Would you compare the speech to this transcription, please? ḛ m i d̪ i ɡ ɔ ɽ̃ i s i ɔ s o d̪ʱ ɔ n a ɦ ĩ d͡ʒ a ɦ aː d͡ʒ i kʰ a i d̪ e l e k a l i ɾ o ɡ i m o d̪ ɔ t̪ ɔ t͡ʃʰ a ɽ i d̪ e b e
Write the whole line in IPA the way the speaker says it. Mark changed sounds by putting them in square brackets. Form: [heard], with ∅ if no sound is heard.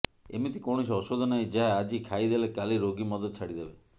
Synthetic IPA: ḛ m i [t̪] i [k] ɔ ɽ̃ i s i ɔ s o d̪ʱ ɔ n a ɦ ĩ d͡ʒ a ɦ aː d͡ʒ i kʰ a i d̪ e l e k a l i ɾ o ɡ i m [ɔ] d̪ ɔ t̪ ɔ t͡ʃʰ a ɽ i d̪ e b e